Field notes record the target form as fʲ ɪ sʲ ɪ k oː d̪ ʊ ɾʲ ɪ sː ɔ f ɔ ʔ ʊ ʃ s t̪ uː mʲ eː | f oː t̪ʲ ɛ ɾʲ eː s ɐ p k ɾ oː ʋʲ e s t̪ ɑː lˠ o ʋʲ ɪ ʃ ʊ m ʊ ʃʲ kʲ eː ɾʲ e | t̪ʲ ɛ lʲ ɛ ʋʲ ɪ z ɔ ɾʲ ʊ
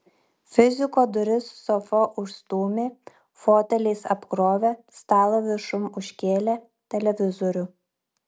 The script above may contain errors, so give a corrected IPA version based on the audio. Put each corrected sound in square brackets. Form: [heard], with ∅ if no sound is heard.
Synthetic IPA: fʲ ɪ [zʲ] ɪ k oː d̪ ʊ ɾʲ ɪ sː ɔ f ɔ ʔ ʊ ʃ s t̪ uː mʲ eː | f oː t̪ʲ ɛ [lʲ] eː s ɐ p k ɾ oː ʋʲ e s t̪ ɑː lˠ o ʋʲ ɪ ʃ ʊ m ʊ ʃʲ kʲ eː [lʲ] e | t̪ʲ ɛ lʲ ɛ ʋʲ ɪ z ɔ ɾʲ ʊ